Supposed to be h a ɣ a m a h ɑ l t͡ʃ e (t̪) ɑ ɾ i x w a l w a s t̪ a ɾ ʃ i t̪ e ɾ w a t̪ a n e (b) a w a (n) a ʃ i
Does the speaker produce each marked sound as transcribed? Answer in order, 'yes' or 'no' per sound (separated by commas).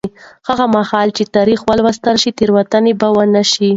yes, yes, yes